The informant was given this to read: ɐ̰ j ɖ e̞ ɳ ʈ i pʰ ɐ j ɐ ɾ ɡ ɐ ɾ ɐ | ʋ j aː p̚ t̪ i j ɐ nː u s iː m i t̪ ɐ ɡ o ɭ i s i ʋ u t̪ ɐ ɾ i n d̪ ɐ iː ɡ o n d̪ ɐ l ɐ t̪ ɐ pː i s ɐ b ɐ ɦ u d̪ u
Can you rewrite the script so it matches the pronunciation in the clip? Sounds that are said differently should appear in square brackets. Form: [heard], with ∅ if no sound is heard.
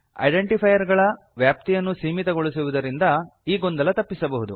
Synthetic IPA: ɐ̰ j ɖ e̞ ɳ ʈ i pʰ ɐ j ɐ ɾ ɡ ɐ [ɭ] ɐ | ʋ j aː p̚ t̪ i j ɐ nː u s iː m i t̪ ɐ ɡ o ɭ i s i ʋ u [d̪] ɐ ɾ i n d̪ ɐ iː ɡ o n d̪ ɐ l ɐ t̪ ɐ pː i s ɐ b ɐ ɦ u d̪ u